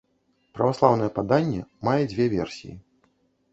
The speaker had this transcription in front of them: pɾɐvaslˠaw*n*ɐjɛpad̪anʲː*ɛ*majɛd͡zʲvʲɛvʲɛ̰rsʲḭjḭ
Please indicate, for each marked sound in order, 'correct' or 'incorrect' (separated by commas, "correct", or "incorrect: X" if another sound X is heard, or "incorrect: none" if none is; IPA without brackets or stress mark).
correct, correct